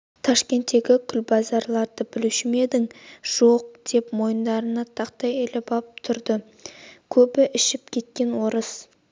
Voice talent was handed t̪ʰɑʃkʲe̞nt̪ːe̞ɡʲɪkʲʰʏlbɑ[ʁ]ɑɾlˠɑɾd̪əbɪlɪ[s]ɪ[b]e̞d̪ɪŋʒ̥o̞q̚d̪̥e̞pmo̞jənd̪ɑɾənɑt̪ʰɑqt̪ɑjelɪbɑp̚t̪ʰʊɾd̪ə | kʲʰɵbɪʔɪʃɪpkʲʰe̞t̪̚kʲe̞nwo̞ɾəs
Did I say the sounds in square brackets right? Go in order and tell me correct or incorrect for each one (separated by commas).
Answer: incorrect, incorrect, incorrect